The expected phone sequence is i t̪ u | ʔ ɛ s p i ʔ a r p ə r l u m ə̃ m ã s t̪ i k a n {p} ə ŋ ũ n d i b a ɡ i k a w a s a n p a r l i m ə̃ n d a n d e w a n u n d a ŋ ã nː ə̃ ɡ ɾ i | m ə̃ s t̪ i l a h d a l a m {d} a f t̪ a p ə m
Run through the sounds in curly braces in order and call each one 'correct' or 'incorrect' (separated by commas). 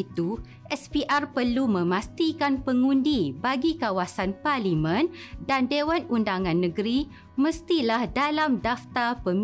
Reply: correct, correct